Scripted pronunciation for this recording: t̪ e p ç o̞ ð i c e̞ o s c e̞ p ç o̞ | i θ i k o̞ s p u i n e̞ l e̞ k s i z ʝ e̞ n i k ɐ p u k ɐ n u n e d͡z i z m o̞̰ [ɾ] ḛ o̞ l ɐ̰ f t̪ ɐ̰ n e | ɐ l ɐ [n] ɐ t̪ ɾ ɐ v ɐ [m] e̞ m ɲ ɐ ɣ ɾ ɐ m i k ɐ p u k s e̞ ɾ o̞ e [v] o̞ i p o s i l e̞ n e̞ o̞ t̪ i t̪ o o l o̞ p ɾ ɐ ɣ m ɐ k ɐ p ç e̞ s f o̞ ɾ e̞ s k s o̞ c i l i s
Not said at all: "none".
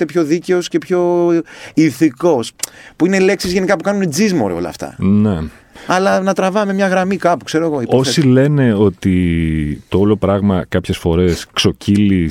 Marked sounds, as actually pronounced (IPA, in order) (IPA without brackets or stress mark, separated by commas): ɾ, n, m, ɣ